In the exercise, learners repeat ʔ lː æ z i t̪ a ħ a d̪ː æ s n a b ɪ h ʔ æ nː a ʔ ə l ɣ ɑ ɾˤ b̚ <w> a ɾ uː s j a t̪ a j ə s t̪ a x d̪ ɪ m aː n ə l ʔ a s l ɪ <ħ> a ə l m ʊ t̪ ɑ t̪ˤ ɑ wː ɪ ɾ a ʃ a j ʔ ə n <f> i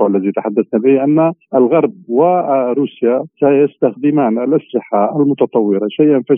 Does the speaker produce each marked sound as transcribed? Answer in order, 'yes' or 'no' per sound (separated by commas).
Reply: yes, yes, yes